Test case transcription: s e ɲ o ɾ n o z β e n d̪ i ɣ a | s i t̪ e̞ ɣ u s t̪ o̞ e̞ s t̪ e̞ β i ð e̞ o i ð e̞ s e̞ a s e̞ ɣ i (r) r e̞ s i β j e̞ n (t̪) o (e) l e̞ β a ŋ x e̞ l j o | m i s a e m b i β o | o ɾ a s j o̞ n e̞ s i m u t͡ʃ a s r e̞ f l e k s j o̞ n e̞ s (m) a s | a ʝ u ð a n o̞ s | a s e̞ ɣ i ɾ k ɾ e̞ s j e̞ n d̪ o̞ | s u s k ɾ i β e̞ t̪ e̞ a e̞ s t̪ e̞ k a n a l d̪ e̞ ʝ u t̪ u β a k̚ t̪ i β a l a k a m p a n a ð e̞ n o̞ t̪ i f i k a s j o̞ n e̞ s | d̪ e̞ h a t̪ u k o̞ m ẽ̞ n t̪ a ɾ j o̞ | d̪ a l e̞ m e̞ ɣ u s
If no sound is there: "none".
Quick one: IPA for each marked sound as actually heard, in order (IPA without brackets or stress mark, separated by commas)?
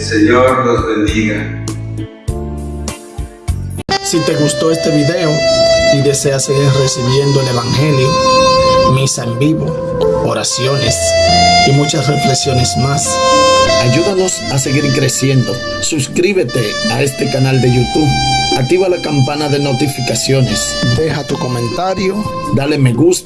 ɾ, d̪, e, m